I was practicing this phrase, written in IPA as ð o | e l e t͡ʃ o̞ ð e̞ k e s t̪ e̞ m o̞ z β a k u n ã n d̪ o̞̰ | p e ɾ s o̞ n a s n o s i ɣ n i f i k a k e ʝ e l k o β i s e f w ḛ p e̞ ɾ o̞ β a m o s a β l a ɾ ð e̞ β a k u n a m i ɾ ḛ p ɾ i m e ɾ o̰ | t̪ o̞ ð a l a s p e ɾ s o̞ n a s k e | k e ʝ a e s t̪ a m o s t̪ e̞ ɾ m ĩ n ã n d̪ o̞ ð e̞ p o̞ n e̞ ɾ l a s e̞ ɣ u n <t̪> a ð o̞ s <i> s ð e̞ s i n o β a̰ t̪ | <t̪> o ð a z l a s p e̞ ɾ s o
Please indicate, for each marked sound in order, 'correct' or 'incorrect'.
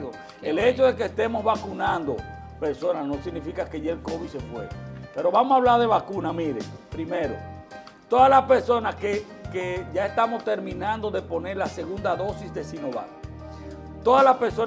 incorrect, correct, correct

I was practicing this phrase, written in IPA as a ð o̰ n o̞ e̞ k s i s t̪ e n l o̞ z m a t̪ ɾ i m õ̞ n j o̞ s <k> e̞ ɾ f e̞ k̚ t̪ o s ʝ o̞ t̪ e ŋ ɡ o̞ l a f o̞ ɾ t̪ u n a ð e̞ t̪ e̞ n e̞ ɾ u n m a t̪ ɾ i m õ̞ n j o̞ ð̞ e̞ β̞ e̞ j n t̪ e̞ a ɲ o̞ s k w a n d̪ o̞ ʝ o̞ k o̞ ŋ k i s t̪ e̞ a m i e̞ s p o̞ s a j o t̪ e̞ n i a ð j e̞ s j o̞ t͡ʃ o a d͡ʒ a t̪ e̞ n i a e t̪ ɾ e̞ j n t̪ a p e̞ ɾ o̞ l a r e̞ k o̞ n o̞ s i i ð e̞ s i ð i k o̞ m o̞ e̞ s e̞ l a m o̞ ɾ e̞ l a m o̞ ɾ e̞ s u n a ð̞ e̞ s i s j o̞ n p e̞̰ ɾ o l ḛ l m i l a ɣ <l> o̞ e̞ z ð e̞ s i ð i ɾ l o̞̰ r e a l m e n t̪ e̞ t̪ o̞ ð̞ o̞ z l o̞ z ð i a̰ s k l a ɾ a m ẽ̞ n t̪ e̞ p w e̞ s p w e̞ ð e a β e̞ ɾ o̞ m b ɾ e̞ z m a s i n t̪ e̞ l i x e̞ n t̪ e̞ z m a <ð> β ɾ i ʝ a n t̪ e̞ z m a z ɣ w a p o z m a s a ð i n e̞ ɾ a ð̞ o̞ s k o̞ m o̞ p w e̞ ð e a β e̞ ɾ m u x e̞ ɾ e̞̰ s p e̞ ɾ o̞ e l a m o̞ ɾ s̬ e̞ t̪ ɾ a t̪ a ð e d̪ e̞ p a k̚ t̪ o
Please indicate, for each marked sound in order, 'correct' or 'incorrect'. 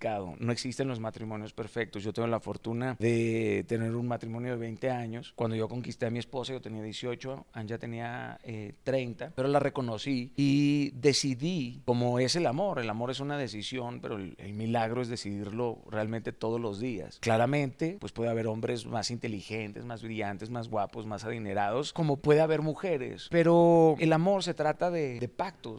incorrect, incorrect, incorrect

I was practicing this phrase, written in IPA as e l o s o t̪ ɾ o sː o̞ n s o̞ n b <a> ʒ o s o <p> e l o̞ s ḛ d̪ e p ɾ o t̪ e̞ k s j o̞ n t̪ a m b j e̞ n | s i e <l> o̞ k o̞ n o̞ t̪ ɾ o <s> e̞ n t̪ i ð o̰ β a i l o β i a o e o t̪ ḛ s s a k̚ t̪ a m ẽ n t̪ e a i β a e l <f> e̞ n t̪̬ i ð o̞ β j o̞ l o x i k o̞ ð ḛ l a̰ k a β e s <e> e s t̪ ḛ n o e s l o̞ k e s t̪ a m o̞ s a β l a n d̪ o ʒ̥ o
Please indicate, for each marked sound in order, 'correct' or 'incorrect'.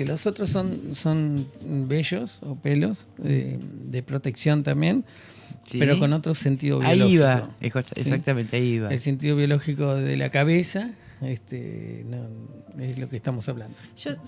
incorrect, correct, incorrect, correct, incorrect, incorrect

